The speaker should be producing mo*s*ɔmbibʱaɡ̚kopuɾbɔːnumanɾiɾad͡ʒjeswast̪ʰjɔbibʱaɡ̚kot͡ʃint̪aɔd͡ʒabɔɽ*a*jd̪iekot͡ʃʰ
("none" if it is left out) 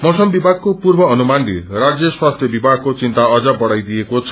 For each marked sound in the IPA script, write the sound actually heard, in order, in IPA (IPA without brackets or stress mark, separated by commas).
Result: s, a